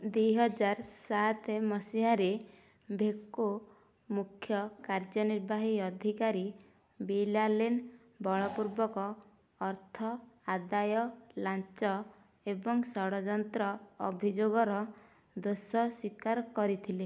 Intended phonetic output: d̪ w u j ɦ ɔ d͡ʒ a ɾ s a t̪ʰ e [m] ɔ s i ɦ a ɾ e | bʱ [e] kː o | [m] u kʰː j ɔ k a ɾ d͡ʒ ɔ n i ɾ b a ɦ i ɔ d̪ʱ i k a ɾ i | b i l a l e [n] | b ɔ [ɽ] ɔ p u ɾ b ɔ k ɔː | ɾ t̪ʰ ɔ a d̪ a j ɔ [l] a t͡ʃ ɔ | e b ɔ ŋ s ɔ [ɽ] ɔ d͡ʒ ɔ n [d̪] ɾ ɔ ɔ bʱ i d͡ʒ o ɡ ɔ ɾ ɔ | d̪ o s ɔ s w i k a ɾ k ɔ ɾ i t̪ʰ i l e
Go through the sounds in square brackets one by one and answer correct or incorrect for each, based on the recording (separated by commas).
correct, correct, correct, correct, incorrect, correct, correct, incorrect